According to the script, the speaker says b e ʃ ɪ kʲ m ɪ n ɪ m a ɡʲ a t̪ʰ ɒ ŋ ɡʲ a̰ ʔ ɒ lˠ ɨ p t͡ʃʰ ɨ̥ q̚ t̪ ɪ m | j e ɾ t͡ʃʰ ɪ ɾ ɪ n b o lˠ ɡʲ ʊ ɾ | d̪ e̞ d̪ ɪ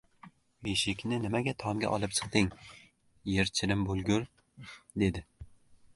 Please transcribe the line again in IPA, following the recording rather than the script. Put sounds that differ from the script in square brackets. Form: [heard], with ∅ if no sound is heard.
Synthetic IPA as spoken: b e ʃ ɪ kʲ [n] ɪ n ɪ m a ɡʲ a t̪ʰ ɒ [m] ɡʲ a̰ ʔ ɒ lˠ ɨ p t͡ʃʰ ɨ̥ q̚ t̪ ɪ [ŋ] | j e ɾ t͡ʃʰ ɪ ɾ ɪ [m] b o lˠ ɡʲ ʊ ɾ | d̪ e̞ d̪ ɪ